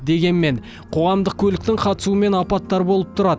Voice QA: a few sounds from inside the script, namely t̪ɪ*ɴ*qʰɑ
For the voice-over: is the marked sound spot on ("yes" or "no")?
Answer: no